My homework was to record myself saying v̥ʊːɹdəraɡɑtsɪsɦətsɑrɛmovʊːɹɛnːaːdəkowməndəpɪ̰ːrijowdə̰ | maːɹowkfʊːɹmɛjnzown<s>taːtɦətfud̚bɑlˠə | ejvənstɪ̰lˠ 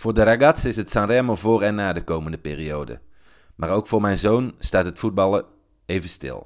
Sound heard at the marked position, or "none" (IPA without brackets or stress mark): s